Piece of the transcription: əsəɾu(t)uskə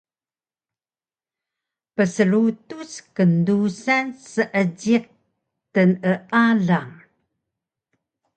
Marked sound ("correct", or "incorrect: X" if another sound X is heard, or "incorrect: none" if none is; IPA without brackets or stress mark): correct